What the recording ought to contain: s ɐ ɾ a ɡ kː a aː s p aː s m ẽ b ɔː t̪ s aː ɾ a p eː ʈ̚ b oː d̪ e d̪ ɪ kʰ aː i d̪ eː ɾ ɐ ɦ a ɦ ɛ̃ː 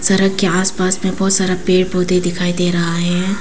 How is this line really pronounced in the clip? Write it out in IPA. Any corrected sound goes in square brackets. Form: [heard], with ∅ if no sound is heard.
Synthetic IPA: s ɐ ɾ [ə] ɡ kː [e] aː s p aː s m ẽ b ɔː t̪ s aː ɾ a p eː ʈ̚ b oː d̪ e d̪ ɪ kʰ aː i d̪ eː ɾ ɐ ɦ a ɦ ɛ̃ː